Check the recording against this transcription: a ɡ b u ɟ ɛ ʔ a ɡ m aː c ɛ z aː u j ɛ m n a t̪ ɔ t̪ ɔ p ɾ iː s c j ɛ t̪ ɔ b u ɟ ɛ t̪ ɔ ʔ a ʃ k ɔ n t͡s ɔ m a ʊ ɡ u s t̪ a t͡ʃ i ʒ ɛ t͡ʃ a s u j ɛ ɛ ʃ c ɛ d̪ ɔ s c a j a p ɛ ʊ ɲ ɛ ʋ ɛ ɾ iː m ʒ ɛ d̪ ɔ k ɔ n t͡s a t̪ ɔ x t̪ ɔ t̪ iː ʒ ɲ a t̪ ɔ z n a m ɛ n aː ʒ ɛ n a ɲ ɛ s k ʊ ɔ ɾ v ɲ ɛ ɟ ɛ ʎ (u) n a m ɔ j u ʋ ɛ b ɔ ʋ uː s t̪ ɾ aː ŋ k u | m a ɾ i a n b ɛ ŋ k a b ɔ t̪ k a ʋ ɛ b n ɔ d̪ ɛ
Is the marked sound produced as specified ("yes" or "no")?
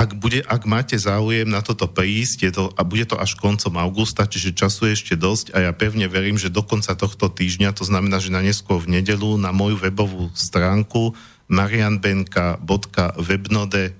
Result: yes